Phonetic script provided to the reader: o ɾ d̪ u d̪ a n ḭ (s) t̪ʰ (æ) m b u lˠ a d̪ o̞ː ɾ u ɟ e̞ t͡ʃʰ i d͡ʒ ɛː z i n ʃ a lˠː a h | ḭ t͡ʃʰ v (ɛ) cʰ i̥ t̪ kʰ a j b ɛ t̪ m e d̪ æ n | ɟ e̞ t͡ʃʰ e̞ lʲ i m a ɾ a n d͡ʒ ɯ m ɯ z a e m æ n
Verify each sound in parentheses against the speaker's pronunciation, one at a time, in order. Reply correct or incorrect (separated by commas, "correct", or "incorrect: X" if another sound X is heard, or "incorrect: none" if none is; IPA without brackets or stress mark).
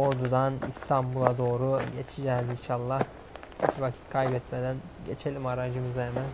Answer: correct, incorrect: a, incorrect: a